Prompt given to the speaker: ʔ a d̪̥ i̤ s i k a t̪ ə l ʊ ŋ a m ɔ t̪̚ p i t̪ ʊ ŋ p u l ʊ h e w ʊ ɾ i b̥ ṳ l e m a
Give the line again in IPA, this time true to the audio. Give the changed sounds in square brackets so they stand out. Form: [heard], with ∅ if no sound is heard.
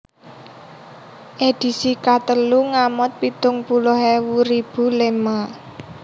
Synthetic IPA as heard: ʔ [e] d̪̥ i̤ s i k a t̪ ə l [u] ŋ a m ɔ t̪̚ p i t̪ ʊ ŋ p u l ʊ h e w [u] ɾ i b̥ ṳ l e m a

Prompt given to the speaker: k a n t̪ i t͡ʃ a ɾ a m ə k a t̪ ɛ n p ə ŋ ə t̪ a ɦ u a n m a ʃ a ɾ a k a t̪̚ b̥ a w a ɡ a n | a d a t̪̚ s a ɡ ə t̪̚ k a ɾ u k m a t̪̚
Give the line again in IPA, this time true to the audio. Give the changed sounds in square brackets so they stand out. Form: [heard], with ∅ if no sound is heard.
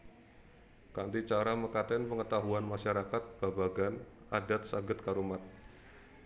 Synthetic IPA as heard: k a n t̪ i t͡ʃ a ɾ a m ə k a t̪ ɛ n p ə ŋ ə t̪ a ɦ u a n m a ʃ a ɾ a k a t̪̚ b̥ a [b] a ɡ a n | a d a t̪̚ s a ɡ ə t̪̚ k a ɾ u [∅] m a t̪̚

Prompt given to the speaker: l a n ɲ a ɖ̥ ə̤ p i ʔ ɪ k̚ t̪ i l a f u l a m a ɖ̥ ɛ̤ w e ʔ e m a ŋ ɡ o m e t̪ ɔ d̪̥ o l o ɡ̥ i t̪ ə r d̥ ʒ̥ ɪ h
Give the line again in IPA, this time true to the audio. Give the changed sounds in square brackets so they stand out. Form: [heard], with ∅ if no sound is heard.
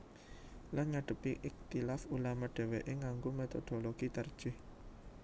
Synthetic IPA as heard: l a n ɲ a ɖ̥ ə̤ p i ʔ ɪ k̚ t̪ i l a f u l a m a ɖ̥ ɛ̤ w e ʔ e [ŋ] a ŋ ɡ o m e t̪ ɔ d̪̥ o l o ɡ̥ i t̪ ə r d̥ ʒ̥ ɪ h

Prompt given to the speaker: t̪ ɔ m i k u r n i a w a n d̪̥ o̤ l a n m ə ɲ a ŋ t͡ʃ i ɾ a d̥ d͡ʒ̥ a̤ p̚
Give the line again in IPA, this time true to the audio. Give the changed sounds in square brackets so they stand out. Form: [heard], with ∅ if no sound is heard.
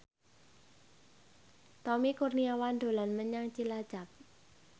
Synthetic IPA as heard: t̪ ɔ m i k u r n i a w a n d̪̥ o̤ l a n m ə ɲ a ŋ t͡ʃ i [l] a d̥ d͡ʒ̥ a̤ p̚

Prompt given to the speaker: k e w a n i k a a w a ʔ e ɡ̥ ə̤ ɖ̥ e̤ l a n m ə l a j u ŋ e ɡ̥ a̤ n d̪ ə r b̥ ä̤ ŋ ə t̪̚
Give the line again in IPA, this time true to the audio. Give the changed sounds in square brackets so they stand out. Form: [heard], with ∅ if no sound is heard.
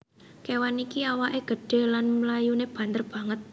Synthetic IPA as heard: k e w a n i k [i] a w a ʔ e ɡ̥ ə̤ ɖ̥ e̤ l a n m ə l a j u [n] e [b̥] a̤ n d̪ ə r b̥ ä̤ ŋ ə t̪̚

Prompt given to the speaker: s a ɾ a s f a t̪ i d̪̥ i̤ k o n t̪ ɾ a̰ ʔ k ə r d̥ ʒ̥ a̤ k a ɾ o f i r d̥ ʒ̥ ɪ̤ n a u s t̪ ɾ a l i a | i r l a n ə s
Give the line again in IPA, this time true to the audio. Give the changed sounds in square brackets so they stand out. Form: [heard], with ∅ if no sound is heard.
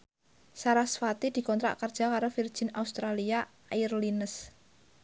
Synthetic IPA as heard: s a ɾ a s f a t̪ i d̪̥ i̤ k [ɔ] n t̪ ɾ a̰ ʔ k ə r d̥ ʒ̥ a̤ k a ɾ o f i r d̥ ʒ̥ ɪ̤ n a u s t̪ ɾ a l i a | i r l [i] n ə s

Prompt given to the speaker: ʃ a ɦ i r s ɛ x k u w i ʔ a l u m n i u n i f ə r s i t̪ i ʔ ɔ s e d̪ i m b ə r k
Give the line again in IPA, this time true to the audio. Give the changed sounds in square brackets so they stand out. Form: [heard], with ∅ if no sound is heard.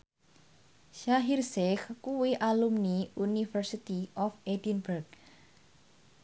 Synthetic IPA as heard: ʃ a ɦ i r s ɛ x k u w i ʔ a l u m n i u n i f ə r s i t̪ i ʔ ɔ [f] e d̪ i [n] b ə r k

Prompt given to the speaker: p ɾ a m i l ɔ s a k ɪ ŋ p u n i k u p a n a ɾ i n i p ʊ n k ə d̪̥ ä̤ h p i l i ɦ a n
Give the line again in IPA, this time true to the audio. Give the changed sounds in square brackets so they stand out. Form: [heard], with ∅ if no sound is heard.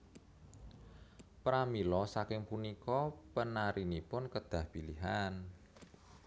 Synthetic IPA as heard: p ɾ a m i l ɔ s a k ɪ ŋ p u n i k [ɔ] p [ə] n a ɾ i n i p ʊ n k ə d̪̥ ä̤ h p i l i ɦ a n

